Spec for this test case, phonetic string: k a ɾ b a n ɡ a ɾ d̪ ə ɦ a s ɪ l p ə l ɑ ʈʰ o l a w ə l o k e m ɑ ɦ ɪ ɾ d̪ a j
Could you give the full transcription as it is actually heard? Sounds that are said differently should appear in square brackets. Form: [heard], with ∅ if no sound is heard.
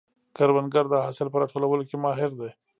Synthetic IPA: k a ɾ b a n ɡ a ɾ d̪ ə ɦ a s ɪ l p ə [ɾ] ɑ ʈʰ o l a w ə l o k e m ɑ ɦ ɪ ɾ d̪ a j